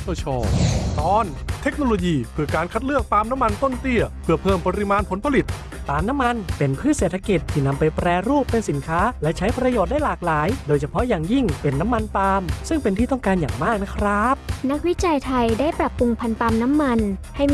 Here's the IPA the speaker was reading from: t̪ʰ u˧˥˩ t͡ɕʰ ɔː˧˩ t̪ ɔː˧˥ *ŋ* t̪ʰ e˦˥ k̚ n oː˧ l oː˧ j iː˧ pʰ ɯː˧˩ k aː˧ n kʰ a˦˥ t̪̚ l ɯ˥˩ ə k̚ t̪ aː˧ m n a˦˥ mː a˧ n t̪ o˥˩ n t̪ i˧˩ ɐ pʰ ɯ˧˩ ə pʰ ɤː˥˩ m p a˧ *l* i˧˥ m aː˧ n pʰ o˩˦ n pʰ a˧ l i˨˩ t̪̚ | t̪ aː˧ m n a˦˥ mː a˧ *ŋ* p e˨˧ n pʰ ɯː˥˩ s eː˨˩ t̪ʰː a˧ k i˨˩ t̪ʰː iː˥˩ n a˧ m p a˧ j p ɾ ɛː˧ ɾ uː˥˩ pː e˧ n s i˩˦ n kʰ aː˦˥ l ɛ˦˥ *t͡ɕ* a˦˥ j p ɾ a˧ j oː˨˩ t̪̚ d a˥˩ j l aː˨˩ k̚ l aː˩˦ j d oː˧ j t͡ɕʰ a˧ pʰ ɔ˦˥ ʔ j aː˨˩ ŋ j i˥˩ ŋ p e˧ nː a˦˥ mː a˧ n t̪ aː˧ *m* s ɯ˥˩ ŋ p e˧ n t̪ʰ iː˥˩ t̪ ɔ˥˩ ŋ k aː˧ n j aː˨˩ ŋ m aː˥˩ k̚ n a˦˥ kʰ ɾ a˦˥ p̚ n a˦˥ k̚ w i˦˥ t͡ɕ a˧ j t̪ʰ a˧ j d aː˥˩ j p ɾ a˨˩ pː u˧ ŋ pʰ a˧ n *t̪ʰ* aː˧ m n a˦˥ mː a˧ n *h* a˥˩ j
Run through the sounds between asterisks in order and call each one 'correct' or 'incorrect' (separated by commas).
incorrect, incorrect, incorrect, incorrect, correct, incorrect, correct